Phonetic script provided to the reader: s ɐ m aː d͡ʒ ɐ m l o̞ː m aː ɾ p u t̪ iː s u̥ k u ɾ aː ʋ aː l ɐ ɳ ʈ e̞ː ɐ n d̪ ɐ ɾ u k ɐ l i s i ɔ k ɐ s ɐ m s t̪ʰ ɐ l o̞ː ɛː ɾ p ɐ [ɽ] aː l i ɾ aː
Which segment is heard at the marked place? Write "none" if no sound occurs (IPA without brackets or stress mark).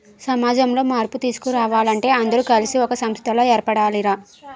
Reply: ɽ